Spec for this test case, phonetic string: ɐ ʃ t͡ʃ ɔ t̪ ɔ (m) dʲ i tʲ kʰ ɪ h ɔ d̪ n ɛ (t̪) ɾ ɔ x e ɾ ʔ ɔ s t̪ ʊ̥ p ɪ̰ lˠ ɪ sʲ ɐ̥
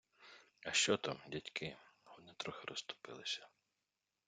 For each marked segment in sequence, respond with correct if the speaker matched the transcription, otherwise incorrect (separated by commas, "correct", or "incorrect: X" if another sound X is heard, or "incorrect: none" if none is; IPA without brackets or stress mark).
correct, correct